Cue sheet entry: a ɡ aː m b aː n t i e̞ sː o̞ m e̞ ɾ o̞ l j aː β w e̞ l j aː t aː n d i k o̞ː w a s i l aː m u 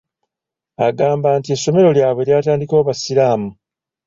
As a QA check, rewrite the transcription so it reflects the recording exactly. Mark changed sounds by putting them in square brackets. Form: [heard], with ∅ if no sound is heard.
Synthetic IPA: a ɡ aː m b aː n t i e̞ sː o̞ m e̞ ɾ o̞ l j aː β w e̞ l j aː t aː n d i k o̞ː [β] a s i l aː m u